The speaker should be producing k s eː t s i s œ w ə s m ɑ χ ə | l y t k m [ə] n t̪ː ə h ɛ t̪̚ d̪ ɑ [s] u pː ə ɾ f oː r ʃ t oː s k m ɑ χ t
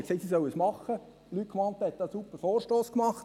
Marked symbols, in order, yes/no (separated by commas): no, yes